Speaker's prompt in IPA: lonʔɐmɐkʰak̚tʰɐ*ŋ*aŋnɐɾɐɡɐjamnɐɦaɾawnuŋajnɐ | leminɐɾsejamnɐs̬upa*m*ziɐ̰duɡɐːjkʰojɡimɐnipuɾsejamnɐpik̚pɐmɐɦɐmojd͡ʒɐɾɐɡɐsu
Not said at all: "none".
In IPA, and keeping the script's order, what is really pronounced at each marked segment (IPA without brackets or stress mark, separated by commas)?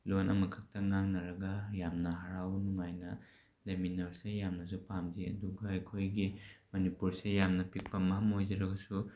ŋ, m